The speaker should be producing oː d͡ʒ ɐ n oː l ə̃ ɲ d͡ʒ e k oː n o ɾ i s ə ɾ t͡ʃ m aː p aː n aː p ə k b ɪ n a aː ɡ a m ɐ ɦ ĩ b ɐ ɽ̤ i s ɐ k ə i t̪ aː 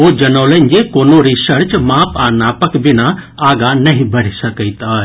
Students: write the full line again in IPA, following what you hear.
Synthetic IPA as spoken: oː d͡ʒ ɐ n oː l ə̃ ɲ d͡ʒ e k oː n o ɾ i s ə ɾ t͡ʃ m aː p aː n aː p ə k b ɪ n a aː ɡ a n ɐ ɦ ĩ b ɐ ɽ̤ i s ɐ k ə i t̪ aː